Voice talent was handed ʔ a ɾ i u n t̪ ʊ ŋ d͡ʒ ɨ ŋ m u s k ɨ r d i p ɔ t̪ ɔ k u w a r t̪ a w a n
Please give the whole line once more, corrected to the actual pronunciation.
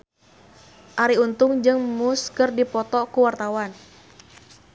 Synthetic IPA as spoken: ʔ a ɾ i u n t̪ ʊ ŋ d͡ʒ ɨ ŋ m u s k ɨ r d i p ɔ t̪ ɔ k u w a r t̪ a w a n